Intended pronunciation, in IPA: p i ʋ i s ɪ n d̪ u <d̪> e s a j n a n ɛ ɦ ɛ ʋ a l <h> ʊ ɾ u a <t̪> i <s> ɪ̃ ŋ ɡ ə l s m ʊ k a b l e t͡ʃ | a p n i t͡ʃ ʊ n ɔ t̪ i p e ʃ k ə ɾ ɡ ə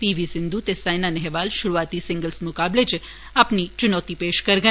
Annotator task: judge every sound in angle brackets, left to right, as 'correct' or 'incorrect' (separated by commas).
incorrect, incorrect, correct, correct